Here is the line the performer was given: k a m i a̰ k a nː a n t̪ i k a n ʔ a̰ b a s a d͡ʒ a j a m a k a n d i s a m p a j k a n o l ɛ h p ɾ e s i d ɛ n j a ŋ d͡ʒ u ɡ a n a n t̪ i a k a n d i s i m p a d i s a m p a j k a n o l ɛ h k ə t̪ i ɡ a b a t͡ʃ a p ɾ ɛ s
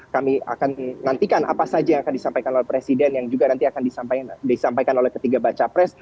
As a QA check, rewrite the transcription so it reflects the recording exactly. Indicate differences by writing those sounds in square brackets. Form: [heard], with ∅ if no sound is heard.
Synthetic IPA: k a m i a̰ k a nː a n t̪ i k a n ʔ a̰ [p] a s a d͡ʒ a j a [ŋ] a k a n d i s a m p a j k a n o l ɛ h p ɾ e s i d ɛ n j a ŋ d͡ʒ u ɡ a n a n t̪ i a k a n d i s [a] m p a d i s a m p a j k a n o l ɛ h k ə t̪ i ɡ a b a t͡ʃ a p ɾ ɛ s